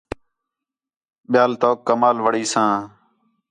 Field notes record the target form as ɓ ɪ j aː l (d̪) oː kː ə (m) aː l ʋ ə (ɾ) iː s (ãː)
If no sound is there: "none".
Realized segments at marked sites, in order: t̪, m, ɽ, ãː

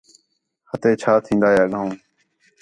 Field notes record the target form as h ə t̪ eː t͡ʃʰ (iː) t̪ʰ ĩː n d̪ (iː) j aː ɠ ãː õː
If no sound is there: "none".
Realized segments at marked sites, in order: aː, aː

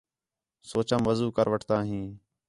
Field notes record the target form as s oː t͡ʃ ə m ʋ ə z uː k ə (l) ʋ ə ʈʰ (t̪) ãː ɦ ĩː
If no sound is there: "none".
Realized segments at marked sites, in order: ɾ, t̪

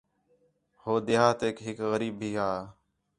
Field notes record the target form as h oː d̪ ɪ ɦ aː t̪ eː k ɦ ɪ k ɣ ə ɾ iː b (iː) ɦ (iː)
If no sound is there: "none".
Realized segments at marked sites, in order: iː, aː

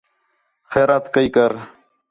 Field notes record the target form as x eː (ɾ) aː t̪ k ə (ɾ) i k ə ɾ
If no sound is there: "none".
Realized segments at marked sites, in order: ɾ, none

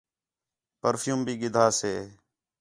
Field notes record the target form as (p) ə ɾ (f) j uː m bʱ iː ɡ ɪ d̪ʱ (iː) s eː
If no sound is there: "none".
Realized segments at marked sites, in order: p, f, aː

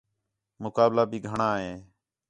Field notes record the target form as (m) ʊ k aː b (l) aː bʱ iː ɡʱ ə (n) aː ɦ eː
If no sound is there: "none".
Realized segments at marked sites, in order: m, l, ɳ

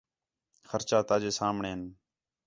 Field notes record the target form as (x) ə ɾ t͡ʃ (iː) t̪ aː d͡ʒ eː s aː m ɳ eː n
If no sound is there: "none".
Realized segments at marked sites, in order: x, aː

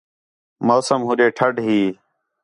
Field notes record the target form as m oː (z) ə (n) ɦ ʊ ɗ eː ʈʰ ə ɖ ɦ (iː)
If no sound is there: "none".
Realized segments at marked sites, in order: s, m, iː

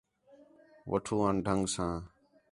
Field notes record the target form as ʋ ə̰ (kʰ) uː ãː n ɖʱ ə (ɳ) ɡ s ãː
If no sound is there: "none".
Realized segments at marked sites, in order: ʈʰ, ŋ

